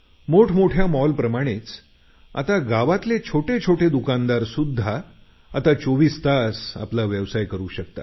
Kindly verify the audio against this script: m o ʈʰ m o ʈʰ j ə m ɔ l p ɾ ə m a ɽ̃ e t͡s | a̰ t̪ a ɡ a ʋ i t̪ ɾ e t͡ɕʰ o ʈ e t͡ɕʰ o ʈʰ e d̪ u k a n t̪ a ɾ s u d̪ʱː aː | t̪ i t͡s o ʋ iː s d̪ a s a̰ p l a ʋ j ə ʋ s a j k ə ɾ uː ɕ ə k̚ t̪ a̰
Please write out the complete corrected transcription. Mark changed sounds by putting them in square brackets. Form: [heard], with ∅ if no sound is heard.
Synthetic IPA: m o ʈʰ m o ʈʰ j [a] m ɔ l p ɾ ə m a ɽ̃ e t͡s | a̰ t̪ a ɡ a ʋ [a] t̪ [l] e t͡ɕʰ o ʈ e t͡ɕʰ o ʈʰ e d̪ u k a n [d̪] a ɾ s u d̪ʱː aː | t̪ [a] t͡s o ʋ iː s [t̪] a s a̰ p l a ʋ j ə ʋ s a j k ə ɾ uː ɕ ə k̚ t̪ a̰

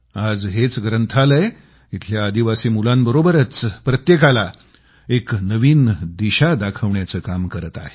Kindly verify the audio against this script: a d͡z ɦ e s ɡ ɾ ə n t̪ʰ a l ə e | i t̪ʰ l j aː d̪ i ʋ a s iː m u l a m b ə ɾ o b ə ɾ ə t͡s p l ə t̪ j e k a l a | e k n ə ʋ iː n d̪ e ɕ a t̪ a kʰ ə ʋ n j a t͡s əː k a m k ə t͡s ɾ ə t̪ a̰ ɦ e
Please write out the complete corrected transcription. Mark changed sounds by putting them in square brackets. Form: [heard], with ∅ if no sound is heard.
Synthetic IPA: a d͡z ɦ e [t͡s] ɡ ɾ ə n t̪ʰ a l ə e | i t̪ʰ l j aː d̪ i ʋ a s iː m u l a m b ə ɾ o b ə ɾ ə t͡s p [ɾ] ə t̪ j e k a l a | e k n ə ʋ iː n d̪ [i] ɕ a [d̪] a kʰ ə ʋ [ɳ] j a t͡s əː k a m k ə [∅] ɾ ə t̪ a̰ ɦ e

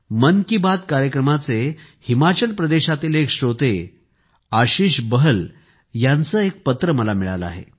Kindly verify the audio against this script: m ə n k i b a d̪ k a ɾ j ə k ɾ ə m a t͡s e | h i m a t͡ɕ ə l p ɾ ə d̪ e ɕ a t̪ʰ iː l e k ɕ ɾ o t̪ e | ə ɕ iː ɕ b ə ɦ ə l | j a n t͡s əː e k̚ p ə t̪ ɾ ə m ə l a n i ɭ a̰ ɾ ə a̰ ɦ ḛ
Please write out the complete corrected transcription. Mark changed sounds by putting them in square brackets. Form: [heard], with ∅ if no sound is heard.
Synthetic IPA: m ə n k i b a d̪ k a ɾ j ə k ɾ ə m a t͡s e | h i m a t͡ɕ ə l p ɾ ə d̪ e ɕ a [t̪] iː l e k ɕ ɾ o t̪ e | [a] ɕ iː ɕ b ə ɦ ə l | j a n t͡s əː e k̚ p ə t̪ ɾ ə m ə l a [m] i ɭ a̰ [l] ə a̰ ɦ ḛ

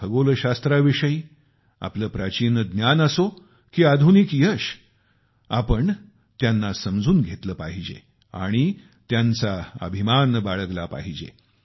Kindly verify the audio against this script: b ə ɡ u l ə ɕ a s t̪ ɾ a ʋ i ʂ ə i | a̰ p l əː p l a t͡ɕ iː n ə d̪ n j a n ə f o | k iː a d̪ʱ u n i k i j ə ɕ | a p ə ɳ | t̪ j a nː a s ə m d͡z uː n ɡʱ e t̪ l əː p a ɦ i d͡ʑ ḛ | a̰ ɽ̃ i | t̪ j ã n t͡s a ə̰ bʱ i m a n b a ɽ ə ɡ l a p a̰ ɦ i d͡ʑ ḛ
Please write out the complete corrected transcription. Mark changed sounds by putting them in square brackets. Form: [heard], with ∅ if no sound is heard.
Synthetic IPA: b ə ɡ [o] l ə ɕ a s t̪ ɾ a ʋ i ʂ ə i | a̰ p l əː p [ɾ] a t͡ɕ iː n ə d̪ n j a n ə [s] o | k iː a d̪ʱ u n i k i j ə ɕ | a p ə ɳ | t̪ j a nː a s ə m d͡z uː n ɡʱ e t̪ l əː p a ɦ i d͡ʑ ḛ | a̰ ɽ̃ i | t̪ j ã n t͡s a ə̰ bʱ i m a n b a [ɭ] ə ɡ l a p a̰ ɦ i d͡ʑ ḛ

